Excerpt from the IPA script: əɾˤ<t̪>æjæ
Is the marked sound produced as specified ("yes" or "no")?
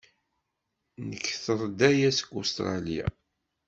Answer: no